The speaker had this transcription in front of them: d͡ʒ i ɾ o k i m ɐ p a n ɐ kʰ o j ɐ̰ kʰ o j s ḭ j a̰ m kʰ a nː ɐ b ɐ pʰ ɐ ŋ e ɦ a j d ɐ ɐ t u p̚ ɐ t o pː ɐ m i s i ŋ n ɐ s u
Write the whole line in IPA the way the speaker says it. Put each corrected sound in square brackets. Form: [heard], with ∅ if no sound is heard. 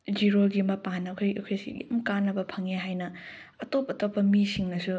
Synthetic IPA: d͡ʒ i ɾ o [ɡ] i m ɐ p a n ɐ kʰ o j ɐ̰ kʰ o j s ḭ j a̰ m [k] a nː ɐ b ɐ pʰ ɐ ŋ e ɦ a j [n] ɐ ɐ t [o] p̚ ɐ t o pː ɐ m i s i ŋ n ɐ s u